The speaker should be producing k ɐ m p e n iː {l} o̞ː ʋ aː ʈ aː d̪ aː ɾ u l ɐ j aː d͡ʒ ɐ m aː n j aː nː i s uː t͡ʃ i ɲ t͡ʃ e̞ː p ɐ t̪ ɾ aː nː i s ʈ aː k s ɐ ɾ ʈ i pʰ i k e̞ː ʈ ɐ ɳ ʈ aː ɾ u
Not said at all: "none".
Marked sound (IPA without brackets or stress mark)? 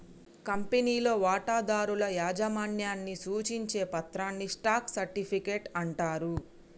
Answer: l